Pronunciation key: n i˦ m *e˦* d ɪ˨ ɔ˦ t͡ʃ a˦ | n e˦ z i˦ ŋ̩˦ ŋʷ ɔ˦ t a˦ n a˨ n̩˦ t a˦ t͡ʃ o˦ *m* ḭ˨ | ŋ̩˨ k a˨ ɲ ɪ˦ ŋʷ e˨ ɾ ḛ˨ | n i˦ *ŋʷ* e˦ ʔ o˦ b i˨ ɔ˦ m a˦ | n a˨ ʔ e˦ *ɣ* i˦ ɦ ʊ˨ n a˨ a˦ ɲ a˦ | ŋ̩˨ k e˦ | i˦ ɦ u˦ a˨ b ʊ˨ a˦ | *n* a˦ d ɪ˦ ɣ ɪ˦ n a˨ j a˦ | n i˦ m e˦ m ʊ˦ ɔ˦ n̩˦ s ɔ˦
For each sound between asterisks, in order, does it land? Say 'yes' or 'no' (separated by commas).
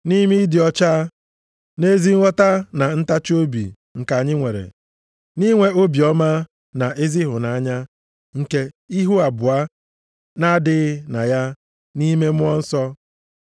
no, no, yes, no, yes